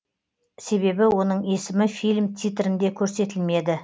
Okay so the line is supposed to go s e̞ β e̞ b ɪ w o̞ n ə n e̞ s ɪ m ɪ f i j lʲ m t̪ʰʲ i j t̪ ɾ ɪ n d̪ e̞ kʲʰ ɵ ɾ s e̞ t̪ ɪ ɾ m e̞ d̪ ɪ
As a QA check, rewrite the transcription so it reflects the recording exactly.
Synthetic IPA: s e̞ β e̞ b ɪ w o̞ n ə ɴ e̞ s ɪ m ɪ f i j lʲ m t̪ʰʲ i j t̪ ɾ ɪ n d̪ e̞ kʲʰ ɵ ɾ s e̞ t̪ ɪ l m e̞ d̪ ɪ